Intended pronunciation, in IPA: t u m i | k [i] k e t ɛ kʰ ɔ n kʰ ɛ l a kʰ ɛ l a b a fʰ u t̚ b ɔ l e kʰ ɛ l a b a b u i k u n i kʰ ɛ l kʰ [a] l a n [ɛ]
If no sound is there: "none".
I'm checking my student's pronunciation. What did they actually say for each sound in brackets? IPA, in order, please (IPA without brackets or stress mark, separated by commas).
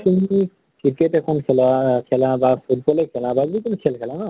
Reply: i, ɛ, a